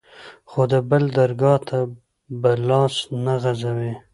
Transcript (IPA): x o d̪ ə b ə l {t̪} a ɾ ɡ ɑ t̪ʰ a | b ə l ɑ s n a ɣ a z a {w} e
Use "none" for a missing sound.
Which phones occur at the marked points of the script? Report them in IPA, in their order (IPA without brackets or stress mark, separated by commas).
d̪, w